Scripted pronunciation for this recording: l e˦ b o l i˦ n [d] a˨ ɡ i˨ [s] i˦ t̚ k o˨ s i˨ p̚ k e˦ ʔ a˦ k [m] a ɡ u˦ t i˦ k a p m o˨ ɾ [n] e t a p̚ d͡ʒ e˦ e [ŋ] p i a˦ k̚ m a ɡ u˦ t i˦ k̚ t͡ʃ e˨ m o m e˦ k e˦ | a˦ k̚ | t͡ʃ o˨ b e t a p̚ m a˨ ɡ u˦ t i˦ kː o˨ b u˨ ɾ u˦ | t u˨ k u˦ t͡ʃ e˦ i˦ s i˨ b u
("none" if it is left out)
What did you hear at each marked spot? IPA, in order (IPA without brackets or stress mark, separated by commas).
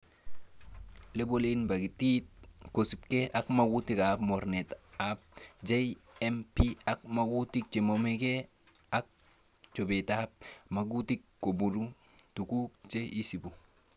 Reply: b, t, m, n, m